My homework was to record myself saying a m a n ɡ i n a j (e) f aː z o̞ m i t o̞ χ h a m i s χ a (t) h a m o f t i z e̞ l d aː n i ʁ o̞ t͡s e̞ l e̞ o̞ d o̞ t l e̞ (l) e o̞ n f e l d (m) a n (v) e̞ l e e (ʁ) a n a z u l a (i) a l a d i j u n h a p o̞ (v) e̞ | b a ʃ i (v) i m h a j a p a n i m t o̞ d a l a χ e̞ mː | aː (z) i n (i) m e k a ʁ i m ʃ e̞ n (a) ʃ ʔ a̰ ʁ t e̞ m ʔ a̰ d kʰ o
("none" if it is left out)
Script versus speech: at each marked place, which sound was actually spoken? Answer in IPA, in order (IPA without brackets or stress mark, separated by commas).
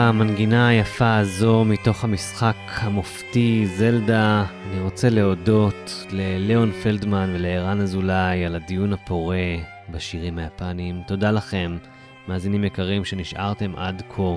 a, k, l, m, v, ʁ, j, ʁ, ʁ, z, i, i